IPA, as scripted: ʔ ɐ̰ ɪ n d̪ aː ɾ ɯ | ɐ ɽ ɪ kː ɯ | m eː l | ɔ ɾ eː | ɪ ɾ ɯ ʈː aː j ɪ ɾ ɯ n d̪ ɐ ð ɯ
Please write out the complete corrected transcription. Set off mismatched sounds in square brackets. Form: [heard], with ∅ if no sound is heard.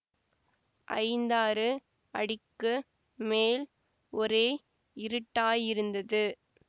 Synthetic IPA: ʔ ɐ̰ ɪ n d̪ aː ɾ ɯ | ɐ ɽ ɪ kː ɯ | m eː l | ɔ ɾ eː | ɪ ɾ ɯ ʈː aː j ɪ ɾ ɯ n d̪ ɐ ð ɯ